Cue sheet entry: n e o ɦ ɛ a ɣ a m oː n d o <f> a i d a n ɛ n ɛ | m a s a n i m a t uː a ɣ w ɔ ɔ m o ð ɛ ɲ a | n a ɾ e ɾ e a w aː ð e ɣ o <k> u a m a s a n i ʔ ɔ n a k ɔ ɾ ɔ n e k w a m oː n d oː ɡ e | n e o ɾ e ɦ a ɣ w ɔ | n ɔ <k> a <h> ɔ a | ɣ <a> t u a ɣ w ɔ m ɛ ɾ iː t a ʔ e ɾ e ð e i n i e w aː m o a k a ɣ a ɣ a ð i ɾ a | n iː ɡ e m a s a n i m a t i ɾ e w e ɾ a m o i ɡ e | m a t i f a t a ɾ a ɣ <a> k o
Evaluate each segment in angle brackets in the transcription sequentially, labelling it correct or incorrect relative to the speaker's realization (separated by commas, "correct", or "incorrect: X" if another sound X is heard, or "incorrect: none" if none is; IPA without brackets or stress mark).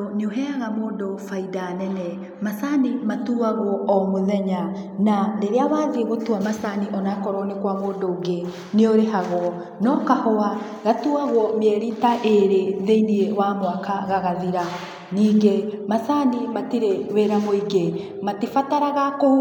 correct, incorrect: t, correct, correct, correct, correct